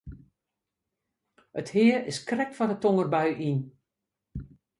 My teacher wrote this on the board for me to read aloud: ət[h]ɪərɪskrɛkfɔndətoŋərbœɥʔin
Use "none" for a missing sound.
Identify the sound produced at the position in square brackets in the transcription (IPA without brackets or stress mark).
h